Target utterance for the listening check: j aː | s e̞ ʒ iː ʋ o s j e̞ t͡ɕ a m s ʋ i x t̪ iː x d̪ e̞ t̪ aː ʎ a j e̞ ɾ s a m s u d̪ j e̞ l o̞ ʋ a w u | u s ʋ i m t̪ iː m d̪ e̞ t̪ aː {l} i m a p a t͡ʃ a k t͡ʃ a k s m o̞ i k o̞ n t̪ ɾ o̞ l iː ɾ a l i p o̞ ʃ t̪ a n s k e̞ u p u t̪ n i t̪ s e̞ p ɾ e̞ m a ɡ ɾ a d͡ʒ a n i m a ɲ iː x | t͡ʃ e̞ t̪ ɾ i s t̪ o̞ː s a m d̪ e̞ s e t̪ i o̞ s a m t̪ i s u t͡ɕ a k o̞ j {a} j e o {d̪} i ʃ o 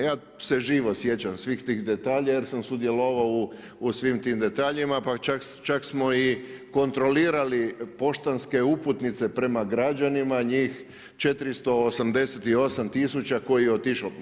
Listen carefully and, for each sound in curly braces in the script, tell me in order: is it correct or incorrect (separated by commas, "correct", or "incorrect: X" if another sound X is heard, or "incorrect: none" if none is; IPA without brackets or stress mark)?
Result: incorrect: ʎ, incorrect: i, incorrect: t̪